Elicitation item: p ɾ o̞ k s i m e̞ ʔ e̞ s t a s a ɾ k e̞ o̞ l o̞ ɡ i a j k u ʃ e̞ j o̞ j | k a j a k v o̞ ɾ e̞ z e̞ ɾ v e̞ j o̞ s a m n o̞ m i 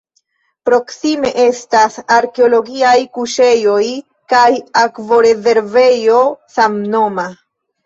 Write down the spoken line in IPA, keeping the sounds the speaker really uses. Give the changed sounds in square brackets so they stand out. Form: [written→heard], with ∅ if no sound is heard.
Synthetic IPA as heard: p ɾ o̞ k s i m e̞ ʔ e̞ s t a s a ɾ k e̞ o̞ l o̞ ɡ i a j k u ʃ e̞ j o̞ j | k a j a k v o̞ ɾ e̞ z e̞ ɾ v e̞ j o̞ s a m n o̞ m [i→a]